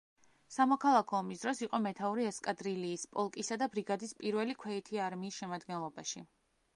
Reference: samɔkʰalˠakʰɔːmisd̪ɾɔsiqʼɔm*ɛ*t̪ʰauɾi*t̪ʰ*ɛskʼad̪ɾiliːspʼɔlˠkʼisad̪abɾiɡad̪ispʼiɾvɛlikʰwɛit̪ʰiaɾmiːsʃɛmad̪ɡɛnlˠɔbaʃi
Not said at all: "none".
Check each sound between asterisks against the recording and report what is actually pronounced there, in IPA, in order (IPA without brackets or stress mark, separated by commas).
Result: ɛ, none